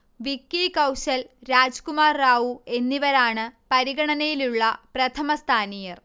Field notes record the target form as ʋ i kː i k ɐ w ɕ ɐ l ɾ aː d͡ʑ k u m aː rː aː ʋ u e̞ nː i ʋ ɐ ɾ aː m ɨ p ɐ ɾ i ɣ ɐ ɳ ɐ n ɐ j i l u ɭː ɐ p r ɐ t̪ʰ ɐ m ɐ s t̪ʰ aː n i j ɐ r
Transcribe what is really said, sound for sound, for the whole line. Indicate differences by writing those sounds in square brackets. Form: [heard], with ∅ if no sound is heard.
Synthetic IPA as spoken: ʋ i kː i k ɐ w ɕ ɐ l ɾ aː d͡ʑ k u m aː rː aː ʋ u e̞ nː i ʋ ɐ ɾ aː [ɳ] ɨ p ɐ ɾ i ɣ ɐ ɳ ɐ n ɐ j i l u ɭː ɐ p r ɐ t̪ʰ ɐ m ɐ s t̪ʰ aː n i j ɐ r